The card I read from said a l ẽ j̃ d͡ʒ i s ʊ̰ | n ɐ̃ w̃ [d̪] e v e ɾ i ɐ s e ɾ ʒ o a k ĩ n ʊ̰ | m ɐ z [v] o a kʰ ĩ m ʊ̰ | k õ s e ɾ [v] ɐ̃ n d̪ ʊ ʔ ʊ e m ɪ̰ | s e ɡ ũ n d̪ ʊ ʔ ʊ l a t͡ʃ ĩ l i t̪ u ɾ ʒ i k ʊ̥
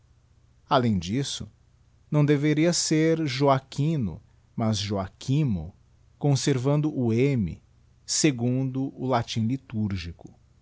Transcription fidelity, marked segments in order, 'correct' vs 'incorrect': correct, incorrect: ʒ, correct

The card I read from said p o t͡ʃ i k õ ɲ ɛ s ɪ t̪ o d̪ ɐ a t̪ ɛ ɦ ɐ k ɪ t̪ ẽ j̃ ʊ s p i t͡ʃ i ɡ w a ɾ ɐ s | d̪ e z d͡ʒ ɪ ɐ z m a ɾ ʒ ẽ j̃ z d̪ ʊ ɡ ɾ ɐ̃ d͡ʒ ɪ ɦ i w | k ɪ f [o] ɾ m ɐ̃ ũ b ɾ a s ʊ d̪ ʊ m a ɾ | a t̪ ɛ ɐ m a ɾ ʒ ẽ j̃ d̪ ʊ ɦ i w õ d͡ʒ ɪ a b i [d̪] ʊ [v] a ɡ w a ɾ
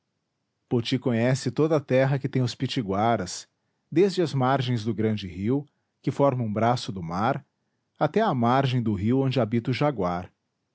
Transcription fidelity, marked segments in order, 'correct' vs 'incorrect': incorrect: ɔ, incorrect: t̪, incorrect: ʒ

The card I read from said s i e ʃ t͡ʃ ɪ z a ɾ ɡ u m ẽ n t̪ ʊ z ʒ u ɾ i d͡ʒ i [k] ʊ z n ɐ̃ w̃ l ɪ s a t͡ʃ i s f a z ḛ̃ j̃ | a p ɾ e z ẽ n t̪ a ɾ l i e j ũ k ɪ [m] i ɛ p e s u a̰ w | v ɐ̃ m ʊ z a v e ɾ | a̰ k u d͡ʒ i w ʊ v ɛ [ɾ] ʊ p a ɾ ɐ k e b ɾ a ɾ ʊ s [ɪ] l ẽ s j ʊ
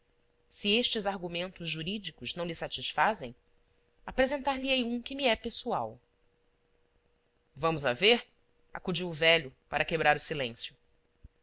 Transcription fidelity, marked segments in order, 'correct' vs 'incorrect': correct, correct, incorrect: ʎ, incorrect: i

